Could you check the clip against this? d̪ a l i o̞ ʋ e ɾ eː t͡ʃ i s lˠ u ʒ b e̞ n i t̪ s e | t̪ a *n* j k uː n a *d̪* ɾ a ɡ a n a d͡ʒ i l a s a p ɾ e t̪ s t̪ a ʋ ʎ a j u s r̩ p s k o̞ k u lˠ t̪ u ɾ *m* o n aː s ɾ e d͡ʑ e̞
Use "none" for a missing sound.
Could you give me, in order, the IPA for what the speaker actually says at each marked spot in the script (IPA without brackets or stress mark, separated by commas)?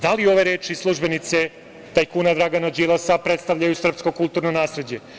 none, d̪, n